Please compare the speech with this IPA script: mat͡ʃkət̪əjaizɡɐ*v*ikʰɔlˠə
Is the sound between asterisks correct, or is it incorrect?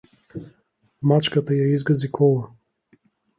incorrect